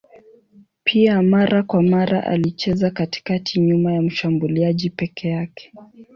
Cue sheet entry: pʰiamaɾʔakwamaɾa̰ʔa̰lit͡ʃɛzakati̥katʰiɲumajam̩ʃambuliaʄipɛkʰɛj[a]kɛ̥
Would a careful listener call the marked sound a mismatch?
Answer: no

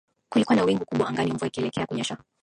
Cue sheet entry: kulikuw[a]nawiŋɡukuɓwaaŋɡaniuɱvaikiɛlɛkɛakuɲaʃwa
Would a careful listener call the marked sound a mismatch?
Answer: no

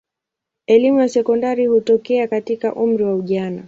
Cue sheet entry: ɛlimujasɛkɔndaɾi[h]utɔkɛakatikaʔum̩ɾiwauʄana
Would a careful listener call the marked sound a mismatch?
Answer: no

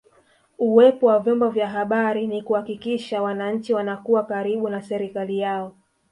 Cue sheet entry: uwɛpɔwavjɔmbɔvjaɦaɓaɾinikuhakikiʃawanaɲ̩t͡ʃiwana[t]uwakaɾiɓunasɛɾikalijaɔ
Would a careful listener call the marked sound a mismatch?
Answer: yes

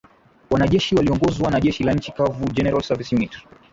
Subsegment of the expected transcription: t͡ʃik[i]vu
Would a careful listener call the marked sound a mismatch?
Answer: yes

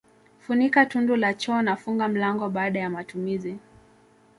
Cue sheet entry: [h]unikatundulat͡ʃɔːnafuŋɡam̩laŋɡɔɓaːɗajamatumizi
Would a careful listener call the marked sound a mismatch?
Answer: yes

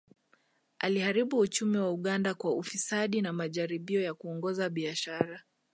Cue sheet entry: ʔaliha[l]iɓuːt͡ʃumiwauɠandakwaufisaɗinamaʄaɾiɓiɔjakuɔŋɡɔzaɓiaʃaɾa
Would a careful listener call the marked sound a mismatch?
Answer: yes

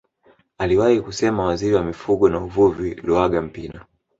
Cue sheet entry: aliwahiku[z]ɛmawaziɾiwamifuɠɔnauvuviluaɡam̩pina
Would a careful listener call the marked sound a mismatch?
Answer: yes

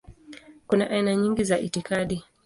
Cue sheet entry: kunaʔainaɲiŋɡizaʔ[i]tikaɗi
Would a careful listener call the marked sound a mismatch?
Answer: no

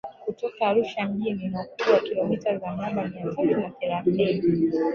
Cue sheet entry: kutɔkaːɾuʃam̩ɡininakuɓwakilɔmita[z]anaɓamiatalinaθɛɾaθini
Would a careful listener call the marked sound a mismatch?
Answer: no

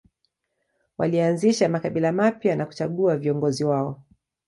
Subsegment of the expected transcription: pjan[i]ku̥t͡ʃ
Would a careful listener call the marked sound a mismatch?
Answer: yes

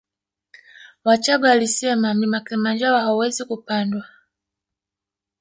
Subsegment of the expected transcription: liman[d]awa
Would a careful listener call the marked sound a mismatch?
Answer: yes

